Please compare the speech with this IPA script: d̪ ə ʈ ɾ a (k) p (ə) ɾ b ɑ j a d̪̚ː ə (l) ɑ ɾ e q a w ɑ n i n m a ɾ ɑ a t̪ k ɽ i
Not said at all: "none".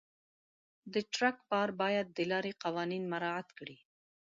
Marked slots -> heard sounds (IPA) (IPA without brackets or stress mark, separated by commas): k, ɑ, l